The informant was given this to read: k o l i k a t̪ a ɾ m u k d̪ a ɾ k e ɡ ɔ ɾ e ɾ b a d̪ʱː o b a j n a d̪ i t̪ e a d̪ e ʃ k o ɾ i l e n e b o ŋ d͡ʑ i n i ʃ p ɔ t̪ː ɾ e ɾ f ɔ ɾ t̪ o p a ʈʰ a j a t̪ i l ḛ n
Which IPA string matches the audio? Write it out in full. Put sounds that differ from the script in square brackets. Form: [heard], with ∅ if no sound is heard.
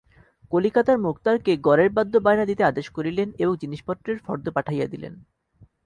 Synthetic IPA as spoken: k o l i k a t̪ a ɾ m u k [t̪] a ɾ k e ɡ ɔ ɾ e ɾ b a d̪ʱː o b a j n a d̪ i t̪ e a d̪ e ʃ k o ɾ i l e n e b o ŋ d͡ʑ i n i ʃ p ɔ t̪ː ɾ e ɾ f ɔ ɾ [d̪] o p a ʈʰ a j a [d̪] i l ḛ n